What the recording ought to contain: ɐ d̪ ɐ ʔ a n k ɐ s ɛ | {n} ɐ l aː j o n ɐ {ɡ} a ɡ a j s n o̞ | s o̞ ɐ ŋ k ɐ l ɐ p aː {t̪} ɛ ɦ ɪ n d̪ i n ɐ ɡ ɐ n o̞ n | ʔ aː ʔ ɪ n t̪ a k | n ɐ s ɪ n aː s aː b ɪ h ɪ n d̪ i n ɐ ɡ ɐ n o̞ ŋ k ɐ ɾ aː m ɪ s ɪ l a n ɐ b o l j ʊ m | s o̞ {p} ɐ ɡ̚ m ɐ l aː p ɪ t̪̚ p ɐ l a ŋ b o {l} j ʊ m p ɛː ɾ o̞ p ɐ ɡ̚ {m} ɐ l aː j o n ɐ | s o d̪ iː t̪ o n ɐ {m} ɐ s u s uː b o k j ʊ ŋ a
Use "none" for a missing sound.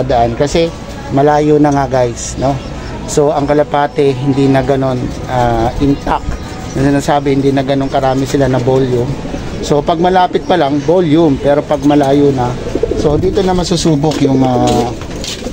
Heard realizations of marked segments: m, ŋ, t̪, p, l, m, m

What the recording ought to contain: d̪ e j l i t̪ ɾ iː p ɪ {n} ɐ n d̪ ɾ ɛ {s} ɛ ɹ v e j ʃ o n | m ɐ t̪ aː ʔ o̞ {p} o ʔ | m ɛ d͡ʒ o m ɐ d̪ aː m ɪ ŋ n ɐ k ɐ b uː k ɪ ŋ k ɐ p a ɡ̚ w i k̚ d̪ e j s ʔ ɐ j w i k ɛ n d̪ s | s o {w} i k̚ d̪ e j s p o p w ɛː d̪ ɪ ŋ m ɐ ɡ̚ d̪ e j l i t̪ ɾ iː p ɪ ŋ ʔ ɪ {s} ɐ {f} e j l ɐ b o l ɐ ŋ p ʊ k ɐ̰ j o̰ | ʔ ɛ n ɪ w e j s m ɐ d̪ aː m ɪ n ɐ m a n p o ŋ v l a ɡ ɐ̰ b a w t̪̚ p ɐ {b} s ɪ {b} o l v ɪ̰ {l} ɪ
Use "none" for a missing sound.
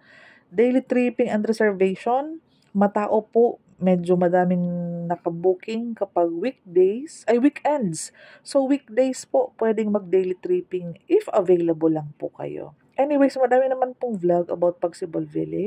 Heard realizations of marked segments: ŋ, s, p, w, f, v, ɡ, b, l

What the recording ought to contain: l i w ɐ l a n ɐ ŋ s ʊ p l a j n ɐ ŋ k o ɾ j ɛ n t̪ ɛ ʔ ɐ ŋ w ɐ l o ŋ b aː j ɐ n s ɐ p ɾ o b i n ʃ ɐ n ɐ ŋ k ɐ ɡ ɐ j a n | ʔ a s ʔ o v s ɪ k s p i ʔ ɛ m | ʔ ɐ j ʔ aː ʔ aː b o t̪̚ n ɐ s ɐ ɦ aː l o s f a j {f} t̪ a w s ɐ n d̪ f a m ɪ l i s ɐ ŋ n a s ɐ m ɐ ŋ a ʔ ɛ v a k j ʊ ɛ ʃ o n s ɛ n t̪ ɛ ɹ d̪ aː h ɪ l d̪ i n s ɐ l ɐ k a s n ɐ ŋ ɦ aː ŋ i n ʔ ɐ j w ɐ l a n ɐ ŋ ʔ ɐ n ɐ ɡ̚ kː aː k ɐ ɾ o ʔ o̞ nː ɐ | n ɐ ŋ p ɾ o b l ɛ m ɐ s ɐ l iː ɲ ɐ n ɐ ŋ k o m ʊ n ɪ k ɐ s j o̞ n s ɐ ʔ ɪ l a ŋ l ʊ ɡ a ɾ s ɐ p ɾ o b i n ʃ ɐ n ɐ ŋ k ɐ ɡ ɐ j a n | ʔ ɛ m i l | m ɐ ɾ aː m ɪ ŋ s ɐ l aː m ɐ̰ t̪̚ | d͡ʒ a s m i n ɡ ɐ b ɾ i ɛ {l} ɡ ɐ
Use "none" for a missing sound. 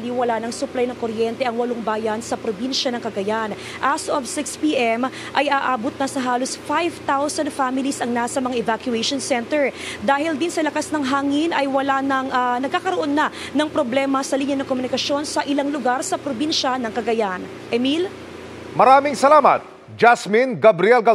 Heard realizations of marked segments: v, l

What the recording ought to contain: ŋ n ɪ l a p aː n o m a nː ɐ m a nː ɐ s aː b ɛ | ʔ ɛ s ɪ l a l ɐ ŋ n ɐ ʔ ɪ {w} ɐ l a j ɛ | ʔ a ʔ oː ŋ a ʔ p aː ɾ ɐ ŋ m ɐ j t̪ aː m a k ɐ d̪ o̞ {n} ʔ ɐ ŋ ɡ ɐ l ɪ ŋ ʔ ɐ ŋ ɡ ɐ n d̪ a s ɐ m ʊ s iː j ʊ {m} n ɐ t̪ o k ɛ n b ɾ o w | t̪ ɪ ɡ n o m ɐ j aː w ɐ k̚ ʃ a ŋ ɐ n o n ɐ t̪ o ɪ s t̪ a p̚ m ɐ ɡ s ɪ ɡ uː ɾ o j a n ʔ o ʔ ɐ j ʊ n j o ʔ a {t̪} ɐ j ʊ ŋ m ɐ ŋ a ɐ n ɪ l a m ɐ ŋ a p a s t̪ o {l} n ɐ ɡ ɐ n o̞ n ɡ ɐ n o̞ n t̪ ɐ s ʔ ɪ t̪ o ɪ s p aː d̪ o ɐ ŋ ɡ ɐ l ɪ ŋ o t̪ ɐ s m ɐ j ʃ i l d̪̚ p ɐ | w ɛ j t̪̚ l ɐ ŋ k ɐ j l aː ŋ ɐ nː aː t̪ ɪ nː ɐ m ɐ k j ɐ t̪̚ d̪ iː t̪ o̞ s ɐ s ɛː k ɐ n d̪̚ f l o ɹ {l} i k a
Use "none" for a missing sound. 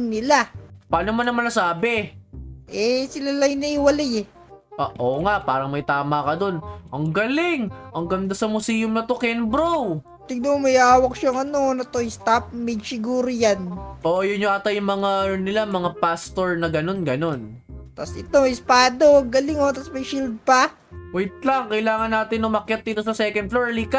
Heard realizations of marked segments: w, n, m, t̪, ɹ, l

